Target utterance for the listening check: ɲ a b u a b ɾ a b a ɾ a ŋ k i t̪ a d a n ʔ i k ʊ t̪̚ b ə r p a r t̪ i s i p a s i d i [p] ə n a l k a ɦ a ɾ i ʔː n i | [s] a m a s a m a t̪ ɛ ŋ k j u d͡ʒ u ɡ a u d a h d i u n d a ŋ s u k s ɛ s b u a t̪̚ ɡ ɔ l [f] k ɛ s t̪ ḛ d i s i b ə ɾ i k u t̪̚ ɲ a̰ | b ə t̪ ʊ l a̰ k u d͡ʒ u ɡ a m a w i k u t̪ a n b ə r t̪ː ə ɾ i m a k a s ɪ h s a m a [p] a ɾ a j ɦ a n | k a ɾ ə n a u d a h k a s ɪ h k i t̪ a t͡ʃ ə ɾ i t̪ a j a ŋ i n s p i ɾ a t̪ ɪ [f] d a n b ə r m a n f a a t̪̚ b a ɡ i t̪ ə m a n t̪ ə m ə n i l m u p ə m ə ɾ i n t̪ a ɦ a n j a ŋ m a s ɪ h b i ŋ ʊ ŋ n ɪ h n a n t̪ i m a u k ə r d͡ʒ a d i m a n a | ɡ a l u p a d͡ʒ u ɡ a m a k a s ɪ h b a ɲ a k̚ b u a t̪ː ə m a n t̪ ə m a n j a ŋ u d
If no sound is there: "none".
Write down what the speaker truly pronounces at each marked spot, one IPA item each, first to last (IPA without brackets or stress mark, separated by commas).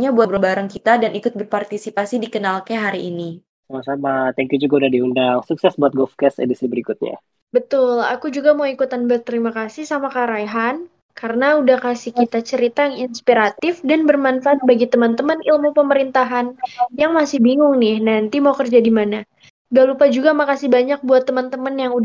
k, s, f, k, f